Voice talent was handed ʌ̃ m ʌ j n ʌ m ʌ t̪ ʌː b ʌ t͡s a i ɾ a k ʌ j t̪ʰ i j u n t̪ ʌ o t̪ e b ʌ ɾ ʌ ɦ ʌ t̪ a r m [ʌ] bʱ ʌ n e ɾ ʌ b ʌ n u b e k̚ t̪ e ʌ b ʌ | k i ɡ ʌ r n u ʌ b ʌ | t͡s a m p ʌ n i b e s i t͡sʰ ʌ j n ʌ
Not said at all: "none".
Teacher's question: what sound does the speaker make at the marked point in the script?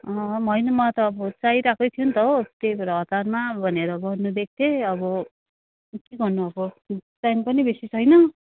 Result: a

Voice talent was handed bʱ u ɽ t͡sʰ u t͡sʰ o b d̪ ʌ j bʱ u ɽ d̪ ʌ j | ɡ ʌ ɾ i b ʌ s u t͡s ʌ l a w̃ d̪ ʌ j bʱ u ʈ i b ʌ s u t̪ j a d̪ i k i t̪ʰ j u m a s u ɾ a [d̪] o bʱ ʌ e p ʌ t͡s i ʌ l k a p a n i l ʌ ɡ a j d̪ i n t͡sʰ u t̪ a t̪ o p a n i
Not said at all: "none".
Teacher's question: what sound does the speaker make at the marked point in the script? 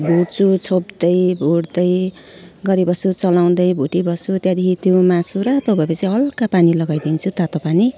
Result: t̪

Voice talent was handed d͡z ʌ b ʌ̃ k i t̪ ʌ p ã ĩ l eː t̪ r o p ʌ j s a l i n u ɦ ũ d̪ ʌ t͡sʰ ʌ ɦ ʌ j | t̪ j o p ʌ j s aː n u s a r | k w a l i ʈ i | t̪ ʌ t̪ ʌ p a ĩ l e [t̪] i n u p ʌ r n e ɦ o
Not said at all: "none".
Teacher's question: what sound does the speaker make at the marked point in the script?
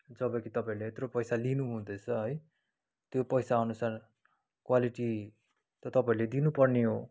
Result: d̪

